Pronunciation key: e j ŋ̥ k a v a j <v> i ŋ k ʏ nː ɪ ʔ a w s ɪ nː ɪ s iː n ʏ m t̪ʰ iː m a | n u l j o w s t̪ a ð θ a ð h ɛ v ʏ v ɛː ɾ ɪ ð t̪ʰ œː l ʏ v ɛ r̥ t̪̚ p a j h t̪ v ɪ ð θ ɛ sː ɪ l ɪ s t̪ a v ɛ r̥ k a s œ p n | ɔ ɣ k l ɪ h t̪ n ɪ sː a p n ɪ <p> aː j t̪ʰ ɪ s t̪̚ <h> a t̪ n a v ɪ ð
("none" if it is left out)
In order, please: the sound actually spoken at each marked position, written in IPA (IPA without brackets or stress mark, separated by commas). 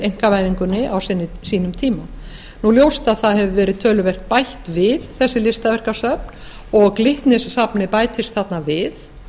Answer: ð, p, θ